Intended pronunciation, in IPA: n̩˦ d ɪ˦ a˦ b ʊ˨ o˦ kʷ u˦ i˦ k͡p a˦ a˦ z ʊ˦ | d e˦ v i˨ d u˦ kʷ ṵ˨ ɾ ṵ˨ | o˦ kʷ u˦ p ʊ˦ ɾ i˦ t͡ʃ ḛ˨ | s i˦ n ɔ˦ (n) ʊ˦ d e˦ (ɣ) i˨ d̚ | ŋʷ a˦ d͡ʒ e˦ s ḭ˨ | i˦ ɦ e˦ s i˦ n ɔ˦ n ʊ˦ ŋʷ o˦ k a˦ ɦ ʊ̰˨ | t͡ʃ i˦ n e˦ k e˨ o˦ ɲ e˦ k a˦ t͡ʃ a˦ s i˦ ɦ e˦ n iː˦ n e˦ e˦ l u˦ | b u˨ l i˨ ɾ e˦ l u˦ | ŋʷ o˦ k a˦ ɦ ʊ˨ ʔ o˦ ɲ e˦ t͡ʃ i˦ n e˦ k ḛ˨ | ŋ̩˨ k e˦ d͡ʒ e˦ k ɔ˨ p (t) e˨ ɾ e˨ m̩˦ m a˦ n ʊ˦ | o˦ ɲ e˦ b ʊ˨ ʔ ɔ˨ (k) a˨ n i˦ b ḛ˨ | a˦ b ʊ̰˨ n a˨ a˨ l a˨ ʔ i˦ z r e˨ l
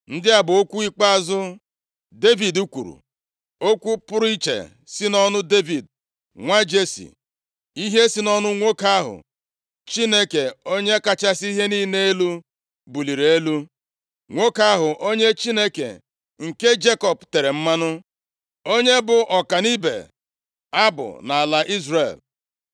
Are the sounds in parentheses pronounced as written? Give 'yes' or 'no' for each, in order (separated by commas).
yes, no, yes, yes